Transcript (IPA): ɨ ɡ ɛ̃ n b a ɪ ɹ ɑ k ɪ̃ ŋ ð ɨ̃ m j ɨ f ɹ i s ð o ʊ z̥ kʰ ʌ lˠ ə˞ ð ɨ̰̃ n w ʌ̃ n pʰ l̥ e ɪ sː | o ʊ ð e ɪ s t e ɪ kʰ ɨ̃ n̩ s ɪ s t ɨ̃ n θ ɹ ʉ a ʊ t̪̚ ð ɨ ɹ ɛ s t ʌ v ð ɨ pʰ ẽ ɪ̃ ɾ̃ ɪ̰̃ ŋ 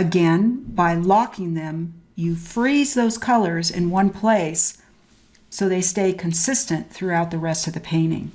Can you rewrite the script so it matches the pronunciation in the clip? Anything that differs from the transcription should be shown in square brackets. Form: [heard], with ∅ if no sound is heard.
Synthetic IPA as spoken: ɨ ɡ ɛ̃ n b a ɪ [l] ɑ k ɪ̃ ŋ ð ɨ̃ m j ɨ f ɹ i [z] ð o ʊ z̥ kʰ ʌ lˠ ə˞ [z] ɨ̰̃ n w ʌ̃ n pʰ l̥ e ɪ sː | o ʊ ð e ɪ s t e ɪ kʰ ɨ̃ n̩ s ɪ s t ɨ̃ n θ ɹ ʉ a ʊ t̪̚ ð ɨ ɹ ɛ s t ʌ v ð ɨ pʰ ẽ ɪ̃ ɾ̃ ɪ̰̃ ŋ